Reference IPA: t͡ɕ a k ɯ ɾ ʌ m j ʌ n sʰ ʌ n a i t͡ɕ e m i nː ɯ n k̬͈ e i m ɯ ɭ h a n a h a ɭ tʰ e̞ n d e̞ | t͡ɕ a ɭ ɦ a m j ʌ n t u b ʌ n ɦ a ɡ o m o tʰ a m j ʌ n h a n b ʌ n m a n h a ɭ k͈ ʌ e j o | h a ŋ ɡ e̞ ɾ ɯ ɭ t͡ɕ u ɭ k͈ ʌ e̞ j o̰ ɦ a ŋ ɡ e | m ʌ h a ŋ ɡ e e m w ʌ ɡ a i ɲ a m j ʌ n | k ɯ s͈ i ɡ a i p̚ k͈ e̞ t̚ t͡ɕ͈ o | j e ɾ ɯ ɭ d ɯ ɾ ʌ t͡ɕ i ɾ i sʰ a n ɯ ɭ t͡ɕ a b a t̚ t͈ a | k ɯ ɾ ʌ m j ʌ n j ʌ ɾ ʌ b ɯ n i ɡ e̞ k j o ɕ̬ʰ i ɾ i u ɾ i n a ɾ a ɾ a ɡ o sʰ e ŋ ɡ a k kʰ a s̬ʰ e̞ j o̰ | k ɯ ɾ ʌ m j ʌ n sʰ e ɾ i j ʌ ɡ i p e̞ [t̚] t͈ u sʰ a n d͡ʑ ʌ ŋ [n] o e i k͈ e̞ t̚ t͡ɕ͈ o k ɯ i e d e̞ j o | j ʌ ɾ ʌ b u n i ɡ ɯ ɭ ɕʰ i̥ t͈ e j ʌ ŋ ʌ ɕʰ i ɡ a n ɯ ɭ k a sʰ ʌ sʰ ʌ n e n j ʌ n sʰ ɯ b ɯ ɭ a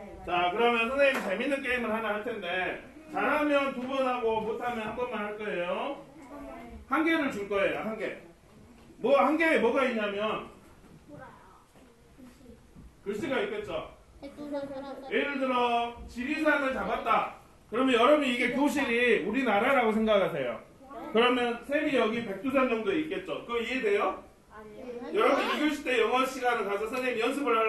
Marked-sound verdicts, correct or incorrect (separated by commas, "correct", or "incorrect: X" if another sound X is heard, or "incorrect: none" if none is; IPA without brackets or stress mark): incorrect: k̚, incorrect: d